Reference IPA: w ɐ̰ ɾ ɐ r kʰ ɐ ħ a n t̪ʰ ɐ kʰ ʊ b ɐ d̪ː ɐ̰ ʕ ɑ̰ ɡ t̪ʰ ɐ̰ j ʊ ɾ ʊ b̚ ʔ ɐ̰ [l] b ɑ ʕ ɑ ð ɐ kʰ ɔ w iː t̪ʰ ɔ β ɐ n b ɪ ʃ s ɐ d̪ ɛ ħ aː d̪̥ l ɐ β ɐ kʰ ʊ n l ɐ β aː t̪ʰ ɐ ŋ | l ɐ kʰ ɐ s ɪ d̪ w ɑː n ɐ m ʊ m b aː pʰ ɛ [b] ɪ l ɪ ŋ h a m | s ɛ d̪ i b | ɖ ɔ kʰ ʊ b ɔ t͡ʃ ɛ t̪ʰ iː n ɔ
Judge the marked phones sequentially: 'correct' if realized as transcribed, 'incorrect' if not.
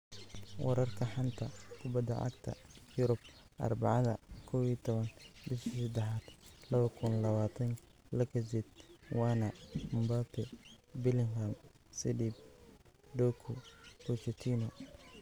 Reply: incorrect, correct

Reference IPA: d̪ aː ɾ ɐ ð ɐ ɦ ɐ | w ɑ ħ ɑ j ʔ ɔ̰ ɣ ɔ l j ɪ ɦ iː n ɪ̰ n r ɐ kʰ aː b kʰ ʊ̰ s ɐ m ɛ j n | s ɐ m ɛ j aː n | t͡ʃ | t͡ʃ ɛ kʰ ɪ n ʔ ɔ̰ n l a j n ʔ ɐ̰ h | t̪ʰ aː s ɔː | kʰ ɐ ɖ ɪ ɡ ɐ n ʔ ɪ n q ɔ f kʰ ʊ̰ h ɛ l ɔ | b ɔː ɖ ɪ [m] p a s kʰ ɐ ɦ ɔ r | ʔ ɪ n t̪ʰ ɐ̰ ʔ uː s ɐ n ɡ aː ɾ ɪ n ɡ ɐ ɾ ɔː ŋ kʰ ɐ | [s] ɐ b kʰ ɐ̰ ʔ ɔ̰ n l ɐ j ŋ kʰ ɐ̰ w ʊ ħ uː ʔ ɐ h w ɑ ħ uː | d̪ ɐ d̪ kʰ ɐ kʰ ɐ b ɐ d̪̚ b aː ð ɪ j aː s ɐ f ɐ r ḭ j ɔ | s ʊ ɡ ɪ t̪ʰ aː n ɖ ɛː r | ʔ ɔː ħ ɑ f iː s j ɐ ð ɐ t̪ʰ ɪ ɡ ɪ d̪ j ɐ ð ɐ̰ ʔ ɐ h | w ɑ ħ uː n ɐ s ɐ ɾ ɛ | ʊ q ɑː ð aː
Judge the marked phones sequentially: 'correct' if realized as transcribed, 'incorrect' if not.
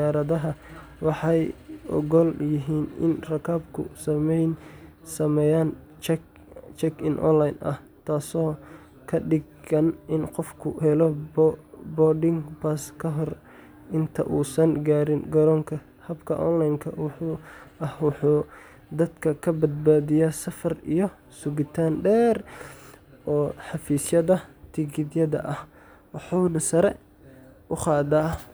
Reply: incorrect, incorrect

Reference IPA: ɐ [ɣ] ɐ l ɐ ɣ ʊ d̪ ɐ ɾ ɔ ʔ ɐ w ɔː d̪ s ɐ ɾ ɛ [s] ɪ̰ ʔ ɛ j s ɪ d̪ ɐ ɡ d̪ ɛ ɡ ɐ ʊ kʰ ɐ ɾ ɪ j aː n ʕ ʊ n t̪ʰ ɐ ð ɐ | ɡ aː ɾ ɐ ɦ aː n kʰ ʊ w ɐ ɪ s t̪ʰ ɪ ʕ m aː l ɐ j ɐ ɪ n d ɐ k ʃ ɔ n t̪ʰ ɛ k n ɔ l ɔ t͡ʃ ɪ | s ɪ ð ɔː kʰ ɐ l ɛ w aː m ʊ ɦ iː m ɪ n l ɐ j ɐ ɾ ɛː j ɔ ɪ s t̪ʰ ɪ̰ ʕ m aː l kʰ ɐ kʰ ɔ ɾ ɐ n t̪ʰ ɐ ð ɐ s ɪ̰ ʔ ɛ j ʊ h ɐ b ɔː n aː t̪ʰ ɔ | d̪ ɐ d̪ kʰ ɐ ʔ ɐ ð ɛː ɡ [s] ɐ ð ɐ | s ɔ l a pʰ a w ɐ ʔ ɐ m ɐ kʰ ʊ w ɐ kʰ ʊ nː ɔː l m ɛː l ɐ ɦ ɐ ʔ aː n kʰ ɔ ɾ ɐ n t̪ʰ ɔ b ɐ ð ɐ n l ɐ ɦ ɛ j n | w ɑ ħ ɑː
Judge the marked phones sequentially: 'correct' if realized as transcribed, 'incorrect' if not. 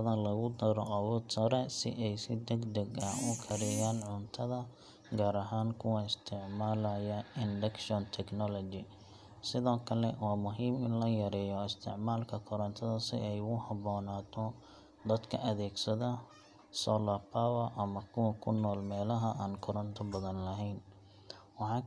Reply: incorrect, correct, correct

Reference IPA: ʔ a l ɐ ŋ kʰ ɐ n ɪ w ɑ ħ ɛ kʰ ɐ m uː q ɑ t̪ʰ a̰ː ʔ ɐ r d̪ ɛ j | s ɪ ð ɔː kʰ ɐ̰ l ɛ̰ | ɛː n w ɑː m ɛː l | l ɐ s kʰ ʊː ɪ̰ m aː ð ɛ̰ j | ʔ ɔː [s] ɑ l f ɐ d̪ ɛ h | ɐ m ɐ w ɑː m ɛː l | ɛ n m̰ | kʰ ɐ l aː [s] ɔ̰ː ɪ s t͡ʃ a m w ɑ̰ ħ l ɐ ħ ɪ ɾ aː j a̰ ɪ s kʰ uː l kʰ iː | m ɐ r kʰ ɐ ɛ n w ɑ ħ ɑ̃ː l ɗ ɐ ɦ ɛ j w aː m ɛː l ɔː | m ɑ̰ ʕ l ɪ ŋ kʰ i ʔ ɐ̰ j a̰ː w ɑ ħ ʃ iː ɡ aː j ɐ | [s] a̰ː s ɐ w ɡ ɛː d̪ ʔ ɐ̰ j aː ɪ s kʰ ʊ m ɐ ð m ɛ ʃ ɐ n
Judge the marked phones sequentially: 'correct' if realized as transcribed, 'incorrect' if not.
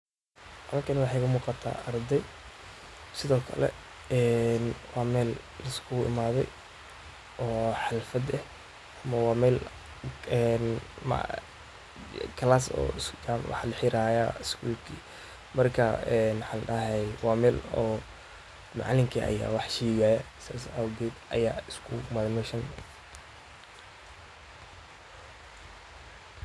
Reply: incorrect, correct, correct

